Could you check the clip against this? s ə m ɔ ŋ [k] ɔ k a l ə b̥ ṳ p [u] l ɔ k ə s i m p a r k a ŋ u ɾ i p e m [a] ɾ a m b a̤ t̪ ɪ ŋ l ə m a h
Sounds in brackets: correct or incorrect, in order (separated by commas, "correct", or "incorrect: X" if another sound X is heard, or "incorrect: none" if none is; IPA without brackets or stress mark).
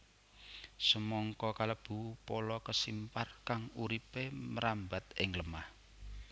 correct, incorrect: o, incorrect: ə